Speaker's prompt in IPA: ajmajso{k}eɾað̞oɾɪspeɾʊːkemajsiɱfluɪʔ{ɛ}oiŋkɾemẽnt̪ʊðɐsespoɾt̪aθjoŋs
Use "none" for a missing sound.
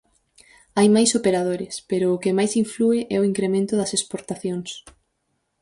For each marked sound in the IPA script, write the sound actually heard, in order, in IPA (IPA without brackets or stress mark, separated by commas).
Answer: p, ɛ